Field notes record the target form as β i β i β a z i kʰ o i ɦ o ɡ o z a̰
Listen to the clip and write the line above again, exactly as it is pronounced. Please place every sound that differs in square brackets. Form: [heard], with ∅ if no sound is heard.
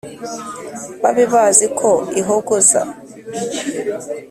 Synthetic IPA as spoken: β [a] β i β a z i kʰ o i ɦ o ɡ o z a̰